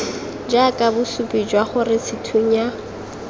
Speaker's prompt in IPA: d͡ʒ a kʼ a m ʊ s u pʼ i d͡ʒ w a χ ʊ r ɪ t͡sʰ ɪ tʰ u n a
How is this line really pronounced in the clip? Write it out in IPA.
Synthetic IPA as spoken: d͡ʒ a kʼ a b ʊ s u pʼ i d͡ʒ w a χ ʊ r ɪ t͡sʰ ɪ tʰ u ɲ a